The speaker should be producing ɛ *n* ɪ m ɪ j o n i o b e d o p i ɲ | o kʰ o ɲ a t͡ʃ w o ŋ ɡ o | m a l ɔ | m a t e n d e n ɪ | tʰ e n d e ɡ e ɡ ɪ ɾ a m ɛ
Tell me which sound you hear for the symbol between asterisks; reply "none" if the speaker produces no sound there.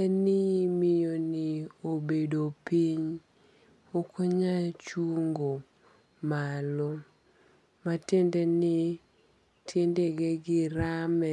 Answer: n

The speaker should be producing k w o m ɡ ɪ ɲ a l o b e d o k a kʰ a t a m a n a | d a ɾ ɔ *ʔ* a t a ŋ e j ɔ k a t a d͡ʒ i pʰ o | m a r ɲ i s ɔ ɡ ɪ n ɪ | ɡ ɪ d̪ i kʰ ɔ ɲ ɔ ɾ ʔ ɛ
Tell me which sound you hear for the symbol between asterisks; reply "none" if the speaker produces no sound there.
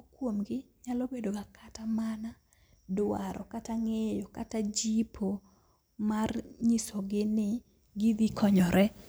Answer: k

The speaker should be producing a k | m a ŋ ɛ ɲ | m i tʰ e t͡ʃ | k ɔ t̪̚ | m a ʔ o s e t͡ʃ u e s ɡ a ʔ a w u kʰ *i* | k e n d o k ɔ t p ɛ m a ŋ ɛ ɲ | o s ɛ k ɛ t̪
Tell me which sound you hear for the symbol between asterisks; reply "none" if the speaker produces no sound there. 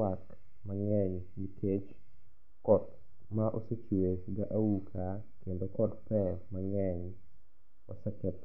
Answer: a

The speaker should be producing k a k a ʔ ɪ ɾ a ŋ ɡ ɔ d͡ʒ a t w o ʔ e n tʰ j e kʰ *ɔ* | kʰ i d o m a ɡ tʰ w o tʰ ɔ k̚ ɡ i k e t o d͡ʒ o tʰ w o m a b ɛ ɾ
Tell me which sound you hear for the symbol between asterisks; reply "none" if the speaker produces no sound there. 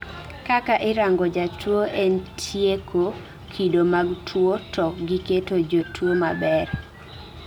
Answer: o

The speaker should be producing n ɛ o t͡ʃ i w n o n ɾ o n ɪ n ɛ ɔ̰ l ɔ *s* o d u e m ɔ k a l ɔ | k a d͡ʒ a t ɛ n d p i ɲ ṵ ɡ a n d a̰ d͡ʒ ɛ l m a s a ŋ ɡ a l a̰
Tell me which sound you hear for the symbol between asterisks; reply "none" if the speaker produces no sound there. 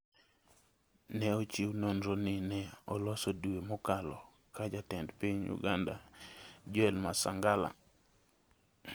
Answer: s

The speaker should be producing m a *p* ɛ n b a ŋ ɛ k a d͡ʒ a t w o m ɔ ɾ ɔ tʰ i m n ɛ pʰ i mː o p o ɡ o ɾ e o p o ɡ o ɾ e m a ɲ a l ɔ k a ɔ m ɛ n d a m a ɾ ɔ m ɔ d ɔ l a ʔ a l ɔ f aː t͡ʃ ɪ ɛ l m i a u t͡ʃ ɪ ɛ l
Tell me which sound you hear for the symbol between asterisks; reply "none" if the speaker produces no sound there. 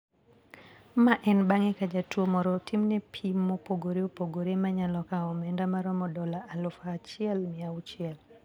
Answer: ʔ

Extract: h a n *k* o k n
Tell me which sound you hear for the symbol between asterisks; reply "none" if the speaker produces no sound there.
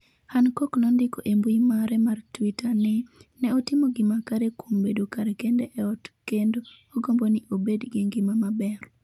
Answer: k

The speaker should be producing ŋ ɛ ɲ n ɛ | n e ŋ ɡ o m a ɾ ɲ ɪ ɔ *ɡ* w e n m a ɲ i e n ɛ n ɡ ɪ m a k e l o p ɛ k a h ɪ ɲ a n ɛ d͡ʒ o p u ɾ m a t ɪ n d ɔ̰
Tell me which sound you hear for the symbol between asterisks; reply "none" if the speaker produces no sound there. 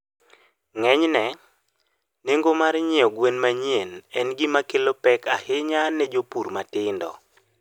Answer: ɡ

